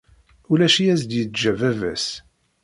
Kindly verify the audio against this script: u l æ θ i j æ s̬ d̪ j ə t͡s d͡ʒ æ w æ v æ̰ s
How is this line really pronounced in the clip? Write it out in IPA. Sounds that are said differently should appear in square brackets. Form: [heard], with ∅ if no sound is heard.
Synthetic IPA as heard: u l æ [ʃ] i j æ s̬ d̪ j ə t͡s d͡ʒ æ [v] æ v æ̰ s

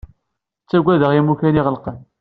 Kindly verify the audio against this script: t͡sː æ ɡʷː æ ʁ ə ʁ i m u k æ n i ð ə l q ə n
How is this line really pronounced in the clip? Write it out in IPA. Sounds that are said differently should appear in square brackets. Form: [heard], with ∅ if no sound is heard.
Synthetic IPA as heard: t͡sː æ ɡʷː æ [ð] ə ʁ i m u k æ n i [ʁ] ə l q ə n

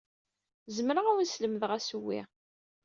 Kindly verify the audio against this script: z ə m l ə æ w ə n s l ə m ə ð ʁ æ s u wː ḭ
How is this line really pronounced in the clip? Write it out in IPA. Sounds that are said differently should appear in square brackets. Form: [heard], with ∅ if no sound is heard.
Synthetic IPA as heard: z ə m [ɾ] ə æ w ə n s l ə m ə ð ʁ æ s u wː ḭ

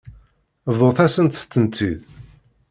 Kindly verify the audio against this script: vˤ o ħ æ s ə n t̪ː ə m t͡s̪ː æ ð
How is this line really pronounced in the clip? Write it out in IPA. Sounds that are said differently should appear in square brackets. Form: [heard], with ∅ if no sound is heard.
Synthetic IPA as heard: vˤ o [θ] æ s ə n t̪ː ə [n] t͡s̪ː [i] ð

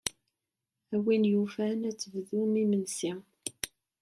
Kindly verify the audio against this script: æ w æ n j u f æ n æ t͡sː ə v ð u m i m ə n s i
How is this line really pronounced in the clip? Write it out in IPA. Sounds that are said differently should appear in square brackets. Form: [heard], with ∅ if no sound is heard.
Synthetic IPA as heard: æ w [i] n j u f æ n æ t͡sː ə v ð u m i m ə n s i

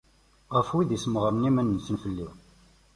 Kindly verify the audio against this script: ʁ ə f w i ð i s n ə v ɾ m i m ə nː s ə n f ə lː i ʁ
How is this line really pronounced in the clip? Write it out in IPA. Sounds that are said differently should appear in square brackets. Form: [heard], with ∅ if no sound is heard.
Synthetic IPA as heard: ʁ ə f w i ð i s [m] ə [ʁ] ɾ [n] i m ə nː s ə n f ə lː i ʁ

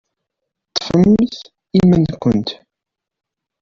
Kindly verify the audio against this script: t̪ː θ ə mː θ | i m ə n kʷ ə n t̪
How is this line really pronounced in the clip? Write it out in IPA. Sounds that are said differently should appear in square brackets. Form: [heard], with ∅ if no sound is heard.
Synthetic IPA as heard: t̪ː [f] ə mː θ | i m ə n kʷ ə n t̪

